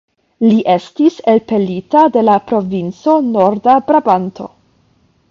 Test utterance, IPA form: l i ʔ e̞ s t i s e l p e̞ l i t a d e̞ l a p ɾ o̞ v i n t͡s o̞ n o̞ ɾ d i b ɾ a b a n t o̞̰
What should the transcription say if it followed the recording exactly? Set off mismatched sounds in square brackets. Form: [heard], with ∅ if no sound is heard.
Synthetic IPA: l i ʔ e̞ s t i s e l p e̞ l i t a d e̞ l a p ɾ o̞ v i n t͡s o̞ n o̞ ɾ d [a] b ɾ a b a n t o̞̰